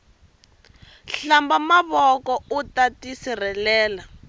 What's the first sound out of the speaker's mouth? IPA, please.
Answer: ɬ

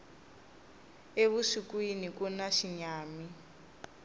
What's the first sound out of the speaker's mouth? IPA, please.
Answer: e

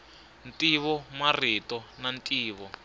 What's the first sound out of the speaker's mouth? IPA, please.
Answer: n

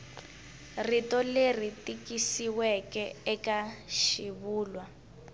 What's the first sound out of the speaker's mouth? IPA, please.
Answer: r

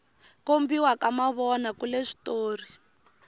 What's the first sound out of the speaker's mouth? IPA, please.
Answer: k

